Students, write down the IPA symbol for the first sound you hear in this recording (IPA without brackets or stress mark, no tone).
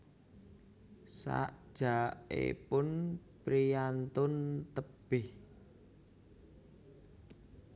s